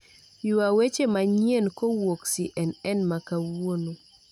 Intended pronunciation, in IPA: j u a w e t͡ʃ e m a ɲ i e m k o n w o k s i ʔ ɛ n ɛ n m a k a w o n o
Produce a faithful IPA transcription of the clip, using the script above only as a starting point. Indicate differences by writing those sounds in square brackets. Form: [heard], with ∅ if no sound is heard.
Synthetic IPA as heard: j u a w e t͡ʃ e m a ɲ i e [n] k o [∅] w o k s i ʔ ɛ n ɛ n m a k a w o n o